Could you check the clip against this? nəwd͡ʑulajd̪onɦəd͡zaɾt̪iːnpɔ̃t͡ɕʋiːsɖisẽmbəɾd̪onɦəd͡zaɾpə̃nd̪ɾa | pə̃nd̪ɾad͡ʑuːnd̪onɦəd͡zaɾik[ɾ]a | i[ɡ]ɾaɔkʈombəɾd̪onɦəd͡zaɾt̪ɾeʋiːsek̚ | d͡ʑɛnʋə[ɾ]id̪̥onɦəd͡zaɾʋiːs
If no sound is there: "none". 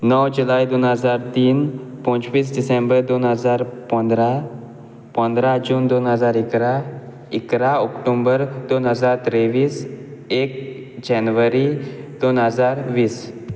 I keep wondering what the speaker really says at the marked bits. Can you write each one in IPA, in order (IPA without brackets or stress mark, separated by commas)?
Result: ɾ, k, ɾ